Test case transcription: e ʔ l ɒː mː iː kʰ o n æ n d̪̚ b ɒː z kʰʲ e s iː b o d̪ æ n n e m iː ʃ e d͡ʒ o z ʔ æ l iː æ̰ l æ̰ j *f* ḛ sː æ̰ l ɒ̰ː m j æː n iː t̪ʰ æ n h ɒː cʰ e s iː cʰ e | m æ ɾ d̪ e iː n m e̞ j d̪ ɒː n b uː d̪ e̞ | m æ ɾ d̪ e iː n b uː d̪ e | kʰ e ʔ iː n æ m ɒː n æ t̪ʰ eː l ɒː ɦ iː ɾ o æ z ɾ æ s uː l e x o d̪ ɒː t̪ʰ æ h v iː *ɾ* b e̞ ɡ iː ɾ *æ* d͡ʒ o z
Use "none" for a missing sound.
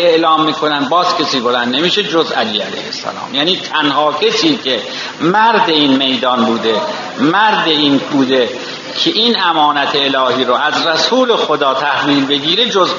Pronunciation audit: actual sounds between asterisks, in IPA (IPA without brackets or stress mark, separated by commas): h, l, e